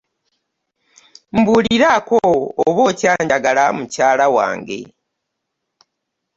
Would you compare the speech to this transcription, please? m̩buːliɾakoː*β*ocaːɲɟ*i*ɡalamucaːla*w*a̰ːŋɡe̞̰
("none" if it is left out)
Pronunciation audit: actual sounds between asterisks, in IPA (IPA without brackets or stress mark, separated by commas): β, a, w